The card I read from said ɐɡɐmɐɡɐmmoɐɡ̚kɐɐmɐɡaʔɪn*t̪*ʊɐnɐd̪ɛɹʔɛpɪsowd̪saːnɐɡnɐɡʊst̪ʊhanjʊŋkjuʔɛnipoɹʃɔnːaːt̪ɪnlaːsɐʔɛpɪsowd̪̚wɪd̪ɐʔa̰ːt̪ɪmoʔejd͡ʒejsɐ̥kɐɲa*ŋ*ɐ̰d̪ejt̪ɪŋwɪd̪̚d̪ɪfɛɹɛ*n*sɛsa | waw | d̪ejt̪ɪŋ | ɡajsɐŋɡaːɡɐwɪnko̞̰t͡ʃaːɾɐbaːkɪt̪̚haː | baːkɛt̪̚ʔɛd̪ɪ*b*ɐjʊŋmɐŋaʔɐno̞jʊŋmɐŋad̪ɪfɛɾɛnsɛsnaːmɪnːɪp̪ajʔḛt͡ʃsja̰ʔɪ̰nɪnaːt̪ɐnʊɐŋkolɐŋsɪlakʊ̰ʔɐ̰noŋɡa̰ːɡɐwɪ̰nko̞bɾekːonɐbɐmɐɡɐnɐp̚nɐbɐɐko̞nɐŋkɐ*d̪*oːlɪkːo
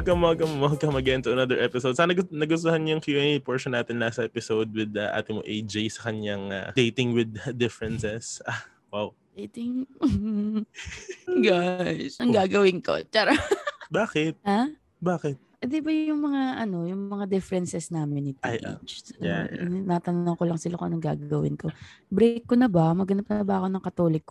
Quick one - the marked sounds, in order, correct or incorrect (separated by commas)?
correct, correct, correct, correct, incorrect